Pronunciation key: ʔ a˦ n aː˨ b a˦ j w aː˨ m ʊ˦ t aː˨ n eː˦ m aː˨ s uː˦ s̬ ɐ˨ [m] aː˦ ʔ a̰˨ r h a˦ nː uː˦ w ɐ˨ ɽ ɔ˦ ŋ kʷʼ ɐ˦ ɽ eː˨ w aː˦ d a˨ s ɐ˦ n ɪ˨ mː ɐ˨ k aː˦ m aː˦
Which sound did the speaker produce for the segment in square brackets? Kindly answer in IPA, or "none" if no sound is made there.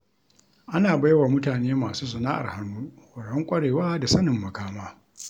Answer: n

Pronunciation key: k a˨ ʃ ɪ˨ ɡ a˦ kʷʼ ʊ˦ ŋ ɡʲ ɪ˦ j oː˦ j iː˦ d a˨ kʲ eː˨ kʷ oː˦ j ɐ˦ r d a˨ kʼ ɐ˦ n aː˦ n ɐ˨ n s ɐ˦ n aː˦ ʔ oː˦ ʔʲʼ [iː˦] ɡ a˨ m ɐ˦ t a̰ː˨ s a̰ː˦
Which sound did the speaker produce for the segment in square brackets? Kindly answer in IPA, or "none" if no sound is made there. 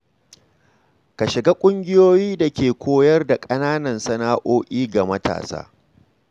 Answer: iː˦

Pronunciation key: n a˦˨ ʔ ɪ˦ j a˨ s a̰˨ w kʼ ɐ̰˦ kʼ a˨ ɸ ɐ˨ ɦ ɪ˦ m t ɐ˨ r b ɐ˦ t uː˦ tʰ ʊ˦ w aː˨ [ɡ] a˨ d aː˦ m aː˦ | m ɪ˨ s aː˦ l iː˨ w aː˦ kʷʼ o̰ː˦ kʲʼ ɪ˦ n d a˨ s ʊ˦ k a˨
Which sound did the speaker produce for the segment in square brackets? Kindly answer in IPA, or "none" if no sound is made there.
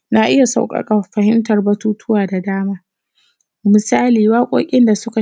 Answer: d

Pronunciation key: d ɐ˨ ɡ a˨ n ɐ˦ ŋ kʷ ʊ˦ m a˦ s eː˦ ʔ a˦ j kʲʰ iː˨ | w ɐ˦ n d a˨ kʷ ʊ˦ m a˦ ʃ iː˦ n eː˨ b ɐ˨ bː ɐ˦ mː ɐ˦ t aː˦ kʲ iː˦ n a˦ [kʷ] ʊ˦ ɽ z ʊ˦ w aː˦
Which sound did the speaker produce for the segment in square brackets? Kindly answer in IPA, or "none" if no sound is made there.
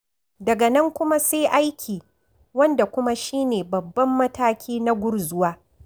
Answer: ɡʷ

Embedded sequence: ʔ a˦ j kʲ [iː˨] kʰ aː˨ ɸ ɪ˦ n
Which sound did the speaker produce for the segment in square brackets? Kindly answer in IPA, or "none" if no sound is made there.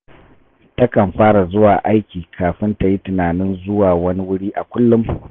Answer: iː˨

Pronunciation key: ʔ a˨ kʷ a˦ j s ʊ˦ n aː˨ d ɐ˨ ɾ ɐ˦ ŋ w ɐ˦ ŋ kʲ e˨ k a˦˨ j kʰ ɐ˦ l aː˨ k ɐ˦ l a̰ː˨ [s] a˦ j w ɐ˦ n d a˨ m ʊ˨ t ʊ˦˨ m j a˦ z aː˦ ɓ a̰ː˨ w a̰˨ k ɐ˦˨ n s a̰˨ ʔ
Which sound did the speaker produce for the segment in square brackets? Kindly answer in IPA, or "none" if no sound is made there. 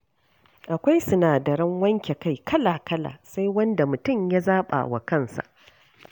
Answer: s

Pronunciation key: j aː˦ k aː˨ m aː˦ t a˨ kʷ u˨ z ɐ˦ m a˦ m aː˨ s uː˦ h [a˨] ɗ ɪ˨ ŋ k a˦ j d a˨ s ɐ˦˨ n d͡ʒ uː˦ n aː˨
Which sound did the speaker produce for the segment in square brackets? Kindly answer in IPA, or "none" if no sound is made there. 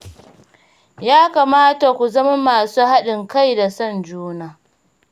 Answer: a˦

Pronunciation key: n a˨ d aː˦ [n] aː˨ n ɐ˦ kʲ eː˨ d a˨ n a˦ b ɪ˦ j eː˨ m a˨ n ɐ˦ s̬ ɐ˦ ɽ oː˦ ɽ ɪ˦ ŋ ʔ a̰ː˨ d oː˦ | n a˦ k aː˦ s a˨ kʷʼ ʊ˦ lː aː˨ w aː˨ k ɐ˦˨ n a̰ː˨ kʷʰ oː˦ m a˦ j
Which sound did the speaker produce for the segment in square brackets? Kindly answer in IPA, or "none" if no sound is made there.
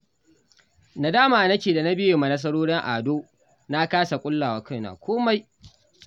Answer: m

